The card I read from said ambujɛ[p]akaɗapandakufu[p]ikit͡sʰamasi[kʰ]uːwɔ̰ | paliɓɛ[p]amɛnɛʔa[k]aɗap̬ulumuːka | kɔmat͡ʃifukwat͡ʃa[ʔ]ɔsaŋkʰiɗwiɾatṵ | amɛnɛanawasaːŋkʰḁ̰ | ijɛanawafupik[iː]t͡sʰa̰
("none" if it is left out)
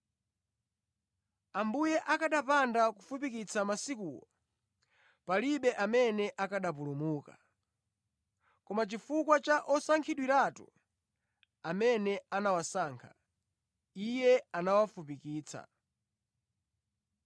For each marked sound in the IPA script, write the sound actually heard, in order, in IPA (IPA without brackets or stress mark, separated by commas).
ʔ, p, k, ʔ, k, ʔ, iː